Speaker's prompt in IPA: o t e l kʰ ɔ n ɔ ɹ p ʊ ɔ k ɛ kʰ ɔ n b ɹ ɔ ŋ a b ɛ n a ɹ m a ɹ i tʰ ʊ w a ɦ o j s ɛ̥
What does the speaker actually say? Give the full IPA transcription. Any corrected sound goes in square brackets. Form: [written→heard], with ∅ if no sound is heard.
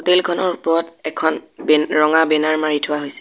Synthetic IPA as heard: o t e l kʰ ɔ n ɔ ɹ p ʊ ɔ [k→t] ɛ kʰ ɔ n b ɹ ɔ ŋ a b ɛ n a ɹ m a ɹ i tʰ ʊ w a ɦ o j s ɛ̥

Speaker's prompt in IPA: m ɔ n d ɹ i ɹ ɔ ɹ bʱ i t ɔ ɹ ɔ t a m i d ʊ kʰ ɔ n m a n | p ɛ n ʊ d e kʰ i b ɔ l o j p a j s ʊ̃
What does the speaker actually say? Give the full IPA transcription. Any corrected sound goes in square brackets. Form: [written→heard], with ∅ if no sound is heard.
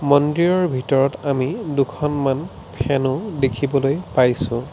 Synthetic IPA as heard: m ɔ n d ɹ i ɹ ɔ ɹ bʱ i t ɔ ɹ ɔ t a m i d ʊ kʰ ɔ n m a n | [p→pʰ] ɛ n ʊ d e kʰ i b ɔ l o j p a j s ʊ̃

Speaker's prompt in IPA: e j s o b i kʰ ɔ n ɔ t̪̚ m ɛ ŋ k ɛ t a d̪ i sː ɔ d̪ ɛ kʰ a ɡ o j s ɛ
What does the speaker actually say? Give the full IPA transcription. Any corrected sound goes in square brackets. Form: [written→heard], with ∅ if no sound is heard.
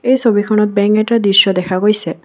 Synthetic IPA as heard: e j s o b i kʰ ɔ n ɔ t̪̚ [m→b] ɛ ŋ k ɛ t a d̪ i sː ɔ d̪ ɛ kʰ a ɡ o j s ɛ

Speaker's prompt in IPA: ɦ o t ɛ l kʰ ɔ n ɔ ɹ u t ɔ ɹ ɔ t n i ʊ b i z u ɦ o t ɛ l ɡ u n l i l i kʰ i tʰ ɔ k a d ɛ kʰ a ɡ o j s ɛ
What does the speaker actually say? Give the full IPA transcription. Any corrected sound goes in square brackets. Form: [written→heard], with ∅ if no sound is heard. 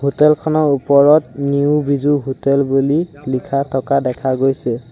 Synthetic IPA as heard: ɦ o t ɛ l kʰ ɔ n ɔ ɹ u [t→p] ɔ ɹ ɔ t n i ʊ b i z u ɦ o t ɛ l [ɡ→b] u [n→∅] l i l i kʰ [i→a] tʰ ɔ k a d ɛ kʰ a ɡ o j s ɛ

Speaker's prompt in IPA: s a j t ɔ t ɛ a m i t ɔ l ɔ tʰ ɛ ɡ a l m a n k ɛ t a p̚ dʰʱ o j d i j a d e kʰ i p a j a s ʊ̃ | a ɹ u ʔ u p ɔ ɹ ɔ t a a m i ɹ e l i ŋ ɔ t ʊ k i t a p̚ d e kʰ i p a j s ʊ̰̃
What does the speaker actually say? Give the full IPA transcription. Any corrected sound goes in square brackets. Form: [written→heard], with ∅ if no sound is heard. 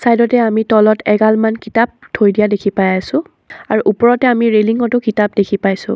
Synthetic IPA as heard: s a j [t→d] ɔ t ɛ a m i t ɔ l ɔ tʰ ɛ ɡ a l m a n k [ɛ→i] t a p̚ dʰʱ o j d i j a d e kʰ i p a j a s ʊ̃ | a ɹ u ʔ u p ɔ ɹ ɔ t [a→ɛ] a m i ɹ e l i ŋ ɔ t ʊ k i t a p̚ d e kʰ i p a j s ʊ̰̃

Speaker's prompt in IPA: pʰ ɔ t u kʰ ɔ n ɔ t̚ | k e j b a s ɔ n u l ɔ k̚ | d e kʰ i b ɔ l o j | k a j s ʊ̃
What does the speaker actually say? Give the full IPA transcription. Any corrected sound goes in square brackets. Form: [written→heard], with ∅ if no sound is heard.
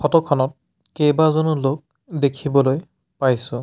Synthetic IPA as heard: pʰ ɔ t [u→ɔ] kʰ ɔ n ɔ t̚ | k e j b a [s→z] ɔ n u l [ɔ→o] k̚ | d e kʰ i b ɔ l o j | [k→p] a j s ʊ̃

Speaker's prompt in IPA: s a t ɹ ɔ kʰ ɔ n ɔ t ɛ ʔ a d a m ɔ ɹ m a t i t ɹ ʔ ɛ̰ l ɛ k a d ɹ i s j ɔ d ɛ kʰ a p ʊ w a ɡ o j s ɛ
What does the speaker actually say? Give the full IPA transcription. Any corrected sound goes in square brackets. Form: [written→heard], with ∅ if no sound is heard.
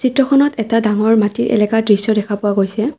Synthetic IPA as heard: s [a→i] t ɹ ɔ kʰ ɔ n ɔ t ɛ [ʔ→t] a d a [m→ŋ] ɔ ɹ m a t i [t→∅] ɹ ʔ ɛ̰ l ɛ k a d ɹ i s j ɔ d ɛ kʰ a p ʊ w a ɡ o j s ɛ

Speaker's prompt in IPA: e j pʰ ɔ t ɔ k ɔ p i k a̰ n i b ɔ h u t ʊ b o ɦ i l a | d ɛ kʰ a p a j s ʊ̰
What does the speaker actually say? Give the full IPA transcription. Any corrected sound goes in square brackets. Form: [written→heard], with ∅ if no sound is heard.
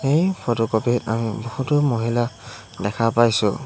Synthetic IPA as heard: e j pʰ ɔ t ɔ k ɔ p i [k→t] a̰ [n→m] i b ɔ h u t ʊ [b→m] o ɦ i l a | d ɛ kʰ a p a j s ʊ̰

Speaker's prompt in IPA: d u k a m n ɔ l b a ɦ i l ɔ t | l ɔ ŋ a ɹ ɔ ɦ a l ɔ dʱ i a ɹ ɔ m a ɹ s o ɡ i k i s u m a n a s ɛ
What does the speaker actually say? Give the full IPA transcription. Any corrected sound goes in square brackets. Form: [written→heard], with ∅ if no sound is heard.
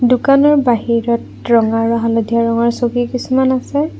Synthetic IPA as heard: d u k a [m→∅] n ɔ [l→ɹ] b a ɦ i [l→ɹ] ɔ t | [l→ɹ] ɔ ŋ a ɹ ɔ ɦ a l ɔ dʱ i a ɹ ɔ [m→ŋ] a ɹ s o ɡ i k i s u m a n a s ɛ

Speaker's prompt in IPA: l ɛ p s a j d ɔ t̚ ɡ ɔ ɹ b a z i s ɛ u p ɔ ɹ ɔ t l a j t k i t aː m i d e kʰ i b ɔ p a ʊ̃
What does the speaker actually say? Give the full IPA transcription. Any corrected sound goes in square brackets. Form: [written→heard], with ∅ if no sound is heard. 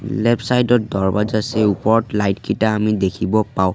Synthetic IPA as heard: l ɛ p s a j d ɔ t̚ [ɡ→d] ɔ ɹ b a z [i→a] s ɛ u p ɔ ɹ ɔ t l a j t k i t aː m i d e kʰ i b ɔ p a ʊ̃

